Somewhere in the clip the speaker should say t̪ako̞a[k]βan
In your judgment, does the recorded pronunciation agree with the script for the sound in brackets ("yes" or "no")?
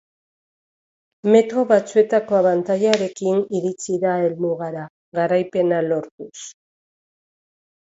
no